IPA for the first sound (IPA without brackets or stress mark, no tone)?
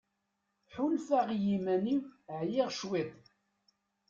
ħ